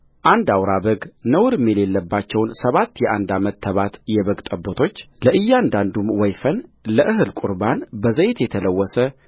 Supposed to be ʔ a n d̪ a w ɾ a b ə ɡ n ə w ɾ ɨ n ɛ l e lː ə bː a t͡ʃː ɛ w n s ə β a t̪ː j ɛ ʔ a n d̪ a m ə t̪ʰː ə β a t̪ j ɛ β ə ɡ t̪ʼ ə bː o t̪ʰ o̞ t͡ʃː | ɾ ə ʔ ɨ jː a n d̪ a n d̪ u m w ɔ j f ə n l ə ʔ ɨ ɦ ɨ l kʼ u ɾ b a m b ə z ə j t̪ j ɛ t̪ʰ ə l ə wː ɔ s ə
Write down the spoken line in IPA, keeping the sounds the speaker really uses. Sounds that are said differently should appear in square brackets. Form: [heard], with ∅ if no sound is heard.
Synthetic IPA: ʔ a n d̪ a w ɾ a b ə ɡ n ə w ɾ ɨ [m] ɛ l e lː ə bː a t͡ʃː ɛ w n s ə β a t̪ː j ɛ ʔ a n d̪ a m ə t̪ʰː ə β a t̪ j ɛ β ə ɡ t̪ʼ ə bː o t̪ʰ o̞ t͡ʃː | [l] ə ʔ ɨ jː a n d̪ a n d̪ u m w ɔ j f ə n l ə ʔ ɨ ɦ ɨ l kʼ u ɾ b a [n] b ə z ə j t̪ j ɛ t̪ʰ ə l ə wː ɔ s ə